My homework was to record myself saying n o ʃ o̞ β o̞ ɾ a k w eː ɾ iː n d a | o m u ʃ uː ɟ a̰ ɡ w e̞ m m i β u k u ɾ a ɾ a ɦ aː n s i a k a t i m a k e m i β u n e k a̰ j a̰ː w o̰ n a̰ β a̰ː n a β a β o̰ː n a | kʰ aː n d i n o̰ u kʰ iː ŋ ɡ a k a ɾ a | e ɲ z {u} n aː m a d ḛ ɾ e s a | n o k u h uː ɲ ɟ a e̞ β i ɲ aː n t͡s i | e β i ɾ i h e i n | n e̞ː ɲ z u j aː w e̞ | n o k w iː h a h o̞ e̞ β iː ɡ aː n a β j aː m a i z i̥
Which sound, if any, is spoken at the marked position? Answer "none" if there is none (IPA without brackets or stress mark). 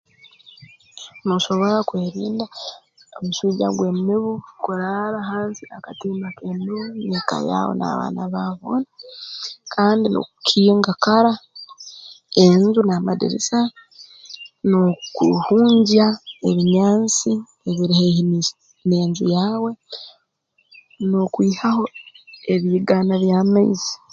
u